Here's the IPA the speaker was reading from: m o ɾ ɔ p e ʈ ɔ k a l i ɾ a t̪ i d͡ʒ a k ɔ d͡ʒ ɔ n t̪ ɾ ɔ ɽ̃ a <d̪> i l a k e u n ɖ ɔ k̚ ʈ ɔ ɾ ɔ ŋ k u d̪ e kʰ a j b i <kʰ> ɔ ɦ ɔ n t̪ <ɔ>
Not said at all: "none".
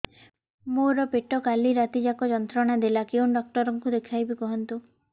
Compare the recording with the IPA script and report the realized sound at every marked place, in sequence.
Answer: d̪, k, u

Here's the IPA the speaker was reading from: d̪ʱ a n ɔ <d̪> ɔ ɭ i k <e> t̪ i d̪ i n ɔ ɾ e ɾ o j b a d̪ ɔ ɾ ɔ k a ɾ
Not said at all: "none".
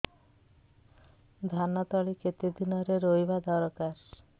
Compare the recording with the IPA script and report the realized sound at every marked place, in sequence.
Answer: t̪, e

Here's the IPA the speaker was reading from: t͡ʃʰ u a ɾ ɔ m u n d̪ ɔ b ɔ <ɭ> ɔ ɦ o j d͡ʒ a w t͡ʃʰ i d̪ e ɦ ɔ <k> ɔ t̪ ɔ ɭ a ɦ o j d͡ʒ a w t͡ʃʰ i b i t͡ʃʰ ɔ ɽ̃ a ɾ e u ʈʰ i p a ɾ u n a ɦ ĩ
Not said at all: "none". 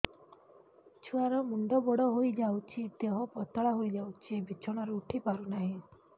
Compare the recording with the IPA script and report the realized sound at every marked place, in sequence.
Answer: ɽ, p

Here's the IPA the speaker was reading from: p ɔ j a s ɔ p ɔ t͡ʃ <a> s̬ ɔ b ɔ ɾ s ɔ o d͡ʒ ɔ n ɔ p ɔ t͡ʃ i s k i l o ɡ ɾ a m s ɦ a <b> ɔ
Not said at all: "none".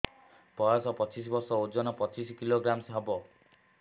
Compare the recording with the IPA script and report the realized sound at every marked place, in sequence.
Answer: i, b

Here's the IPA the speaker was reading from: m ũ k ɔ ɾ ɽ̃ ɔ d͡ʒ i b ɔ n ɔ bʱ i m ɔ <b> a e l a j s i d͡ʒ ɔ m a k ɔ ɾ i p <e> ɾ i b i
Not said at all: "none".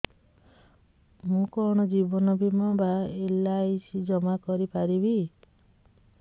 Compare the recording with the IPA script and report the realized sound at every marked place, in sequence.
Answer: b, a

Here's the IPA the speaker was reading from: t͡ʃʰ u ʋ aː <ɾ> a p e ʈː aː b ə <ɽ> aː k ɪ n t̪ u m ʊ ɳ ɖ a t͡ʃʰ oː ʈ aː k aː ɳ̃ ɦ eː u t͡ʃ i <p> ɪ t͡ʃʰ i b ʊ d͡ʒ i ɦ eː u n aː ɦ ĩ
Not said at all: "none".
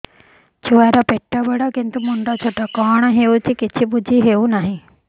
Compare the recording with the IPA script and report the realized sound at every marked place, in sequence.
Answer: ɾ, ɽ, k

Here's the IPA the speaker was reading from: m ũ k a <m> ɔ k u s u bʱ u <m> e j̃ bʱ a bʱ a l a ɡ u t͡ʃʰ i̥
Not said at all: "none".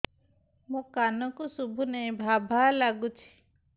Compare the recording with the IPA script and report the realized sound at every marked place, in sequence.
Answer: n, n

